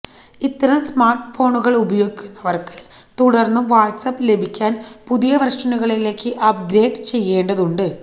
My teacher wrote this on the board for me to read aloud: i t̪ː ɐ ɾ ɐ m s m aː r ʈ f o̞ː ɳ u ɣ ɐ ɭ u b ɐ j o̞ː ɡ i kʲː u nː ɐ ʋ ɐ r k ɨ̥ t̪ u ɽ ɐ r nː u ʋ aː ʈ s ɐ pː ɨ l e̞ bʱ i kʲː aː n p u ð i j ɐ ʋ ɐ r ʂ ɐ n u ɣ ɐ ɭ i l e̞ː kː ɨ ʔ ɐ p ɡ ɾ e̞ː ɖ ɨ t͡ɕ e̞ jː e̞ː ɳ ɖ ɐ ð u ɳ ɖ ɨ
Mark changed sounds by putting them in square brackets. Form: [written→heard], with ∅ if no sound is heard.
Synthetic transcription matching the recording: i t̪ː ɐ ɾ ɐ m s m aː r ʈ f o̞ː ɳ u ɣ ɐ ɭ u b ɐ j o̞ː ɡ i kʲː u nː ɐ ʋ ɐ r k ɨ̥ t̪ u ɽ ɐ r nː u ʋ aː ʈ s ɐ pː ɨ l e̞ bʱ i kʲː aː n p u ð i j ɐ ʋ ɐ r ʂ ɐ n u ɣ ɐ ɭ i l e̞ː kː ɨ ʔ ɐ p ɡ ɾ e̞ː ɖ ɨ t͡ɕ e̞ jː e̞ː ɳ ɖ ɐ ð u ɳ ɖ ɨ